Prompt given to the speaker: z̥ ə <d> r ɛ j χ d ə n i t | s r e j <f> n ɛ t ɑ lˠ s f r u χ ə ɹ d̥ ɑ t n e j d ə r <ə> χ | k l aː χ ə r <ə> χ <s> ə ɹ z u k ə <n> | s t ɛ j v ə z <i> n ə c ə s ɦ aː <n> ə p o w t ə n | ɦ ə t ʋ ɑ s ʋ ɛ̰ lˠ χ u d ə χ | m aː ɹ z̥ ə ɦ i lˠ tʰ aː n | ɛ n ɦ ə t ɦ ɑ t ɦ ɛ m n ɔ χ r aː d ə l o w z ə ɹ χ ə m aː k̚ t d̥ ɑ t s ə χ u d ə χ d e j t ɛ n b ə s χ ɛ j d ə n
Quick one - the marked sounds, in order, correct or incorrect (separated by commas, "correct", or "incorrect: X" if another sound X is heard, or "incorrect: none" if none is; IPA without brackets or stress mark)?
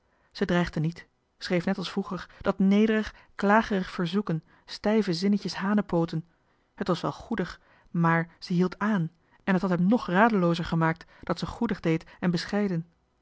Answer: correct, correct, correct, correct, incorrect: f, correct, incorrect: ɪ, correct